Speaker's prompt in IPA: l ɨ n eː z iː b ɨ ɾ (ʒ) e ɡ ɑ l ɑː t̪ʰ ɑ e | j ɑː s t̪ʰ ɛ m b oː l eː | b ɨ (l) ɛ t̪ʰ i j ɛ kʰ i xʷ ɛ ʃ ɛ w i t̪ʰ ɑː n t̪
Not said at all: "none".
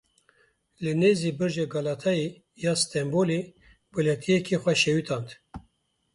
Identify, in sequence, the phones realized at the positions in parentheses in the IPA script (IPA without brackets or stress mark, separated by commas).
ʒ, l